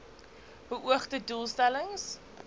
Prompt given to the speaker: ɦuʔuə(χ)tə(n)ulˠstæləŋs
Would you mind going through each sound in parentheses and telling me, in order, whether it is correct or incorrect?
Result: correct, incorrect: d

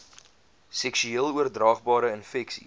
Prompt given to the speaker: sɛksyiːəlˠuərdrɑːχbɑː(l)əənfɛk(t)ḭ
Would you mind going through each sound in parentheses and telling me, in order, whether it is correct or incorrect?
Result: incorrect: ɾ, incorrect: s

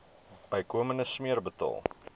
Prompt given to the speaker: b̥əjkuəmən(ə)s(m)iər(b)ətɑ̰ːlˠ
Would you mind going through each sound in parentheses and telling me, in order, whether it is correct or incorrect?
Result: correct, correct, correct

